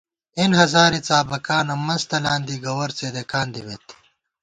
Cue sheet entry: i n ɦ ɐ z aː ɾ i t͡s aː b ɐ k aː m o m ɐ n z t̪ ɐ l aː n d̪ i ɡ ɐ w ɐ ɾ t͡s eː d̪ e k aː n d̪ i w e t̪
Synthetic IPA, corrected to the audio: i n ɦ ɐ z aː ɾ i t͡s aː b ɐ k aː n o m ɐ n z t̪ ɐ l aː n d̪ i ɡ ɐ w ɐ ɾ t͡s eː d̪ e k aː n d̪ i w e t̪